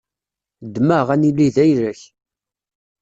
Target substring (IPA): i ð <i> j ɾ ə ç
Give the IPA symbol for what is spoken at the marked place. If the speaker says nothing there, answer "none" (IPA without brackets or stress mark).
æ